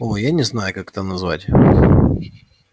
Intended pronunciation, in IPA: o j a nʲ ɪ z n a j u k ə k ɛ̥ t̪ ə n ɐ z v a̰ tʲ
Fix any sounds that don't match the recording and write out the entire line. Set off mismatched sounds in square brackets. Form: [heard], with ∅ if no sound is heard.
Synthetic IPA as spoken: o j a nʲ ɪ z n a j [ʊ] k [a] k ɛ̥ t̪ ə n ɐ z v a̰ tʲ